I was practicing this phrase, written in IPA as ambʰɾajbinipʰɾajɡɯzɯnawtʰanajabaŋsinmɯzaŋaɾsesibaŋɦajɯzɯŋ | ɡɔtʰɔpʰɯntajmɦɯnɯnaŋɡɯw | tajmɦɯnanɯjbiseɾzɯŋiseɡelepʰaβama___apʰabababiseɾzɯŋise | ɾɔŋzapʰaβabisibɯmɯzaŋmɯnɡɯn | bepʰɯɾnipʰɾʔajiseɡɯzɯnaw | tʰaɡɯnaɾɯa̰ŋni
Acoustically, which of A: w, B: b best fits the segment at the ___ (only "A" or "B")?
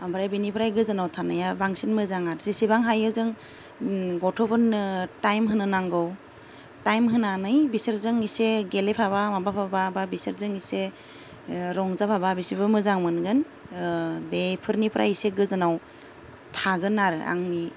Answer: B